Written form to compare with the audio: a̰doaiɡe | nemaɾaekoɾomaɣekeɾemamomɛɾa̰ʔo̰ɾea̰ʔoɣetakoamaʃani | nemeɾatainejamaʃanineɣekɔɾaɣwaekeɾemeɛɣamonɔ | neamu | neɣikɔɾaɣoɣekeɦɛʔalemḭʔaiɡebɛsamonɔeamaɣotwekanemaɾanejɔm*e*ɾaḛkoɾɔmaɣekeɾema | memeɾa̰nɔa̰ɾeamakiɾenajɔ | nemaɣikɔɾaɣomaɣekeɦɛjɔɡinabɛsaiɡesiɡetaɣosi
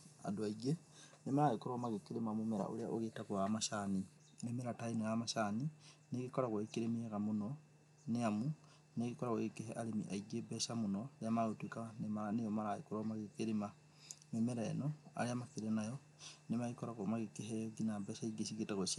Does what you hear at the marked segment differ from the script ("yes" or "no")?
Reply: yes